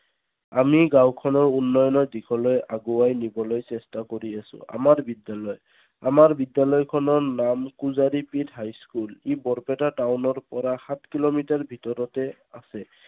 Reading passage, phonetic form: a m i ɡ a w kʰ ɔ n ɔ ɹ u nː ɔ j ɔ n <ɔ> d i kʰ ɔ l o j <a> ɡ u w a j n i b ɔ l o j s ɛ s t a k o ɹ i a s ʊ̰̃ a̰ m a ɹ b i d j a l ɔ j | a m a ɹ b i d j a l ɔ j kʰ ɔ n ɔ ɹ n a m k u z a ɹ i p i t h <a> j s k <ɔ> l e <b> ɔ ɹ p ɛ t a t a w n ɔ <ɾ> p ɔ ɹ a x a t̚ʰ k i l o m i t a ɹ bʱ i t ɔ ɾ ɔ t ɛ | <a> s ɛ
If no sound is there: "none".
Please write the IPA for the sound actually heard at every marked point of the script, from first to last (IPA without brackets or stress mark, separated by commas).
ɔ, a, a, u, b, ɹ, a